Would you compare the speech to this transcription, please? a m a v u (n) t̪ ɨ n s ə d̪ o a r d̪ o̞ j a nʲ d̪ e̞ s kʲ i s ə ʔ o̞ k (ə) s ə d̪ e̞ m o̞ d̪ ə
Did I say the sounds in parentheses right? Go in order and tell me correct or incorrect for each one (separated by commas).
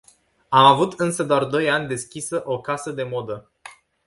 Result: incorrect, incorrect